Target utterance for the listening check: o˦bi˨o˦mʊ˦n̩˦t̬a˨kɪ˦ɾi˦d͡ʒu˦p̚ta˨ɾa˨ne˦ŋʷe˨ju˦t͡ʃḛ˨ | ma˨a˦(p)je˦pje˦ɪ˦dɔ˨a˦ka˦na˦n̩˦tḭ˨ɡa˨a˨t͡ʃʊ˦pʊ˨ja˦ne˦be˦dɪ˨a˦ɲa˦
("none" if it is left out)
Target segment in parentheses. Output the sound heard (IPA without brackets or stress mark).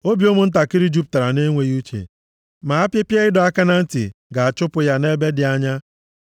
p